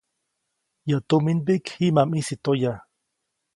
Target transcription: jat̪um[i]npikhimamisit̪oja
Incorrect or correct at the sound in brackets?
correct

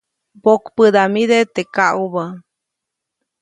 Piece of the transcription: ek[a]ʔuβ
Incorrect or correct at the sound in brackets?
correct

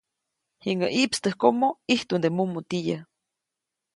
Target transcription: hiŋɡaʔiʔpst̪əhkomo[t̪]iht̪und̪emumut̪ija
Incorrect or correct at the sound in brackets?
incorrect: none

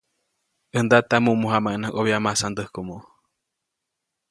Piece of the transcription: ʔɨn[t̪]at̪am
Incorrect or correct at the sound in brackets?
incorrect: d̪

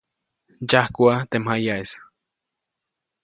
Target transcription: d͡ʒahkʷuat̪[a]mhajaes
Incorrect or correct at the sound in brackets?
incorrect: e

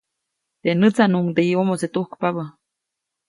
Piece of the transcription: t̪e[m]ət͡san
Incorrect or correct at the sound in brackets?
incorrect: n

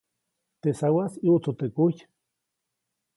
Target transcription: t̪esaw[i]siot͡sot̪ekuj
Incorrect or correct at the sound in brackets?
incorrect: a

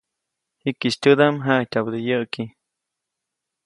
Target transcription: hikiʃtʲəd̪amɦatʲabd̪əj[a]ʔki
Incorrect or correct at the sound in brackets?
incorrect: ə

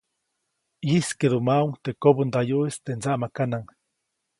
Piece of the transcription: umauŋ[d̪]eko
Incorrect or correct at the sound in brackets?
incorrect: t̪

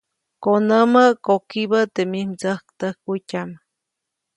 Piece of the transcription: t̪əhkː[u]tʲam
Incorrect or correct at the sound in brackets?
correct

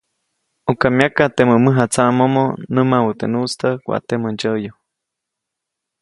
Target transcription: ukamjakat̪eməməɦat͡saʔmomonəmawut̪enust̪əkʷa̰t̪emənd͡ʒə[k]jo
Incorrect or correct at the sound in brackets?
incorrect: none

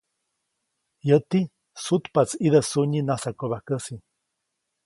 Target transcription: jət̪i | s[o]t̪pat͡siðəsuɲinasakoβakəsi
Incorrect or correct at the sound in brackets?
incorrect: u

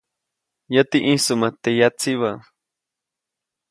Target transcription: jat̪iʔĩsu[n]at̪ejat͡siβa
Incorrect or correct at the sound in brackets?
incorrect: m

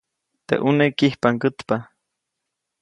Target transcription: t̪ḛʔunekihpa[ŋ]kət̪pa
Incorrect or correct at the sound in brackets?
correct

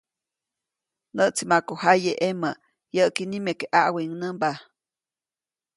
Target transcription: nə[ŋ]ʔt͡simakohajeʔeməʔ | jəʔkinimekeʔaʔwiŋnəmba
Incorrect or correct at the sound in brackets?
incorrect: none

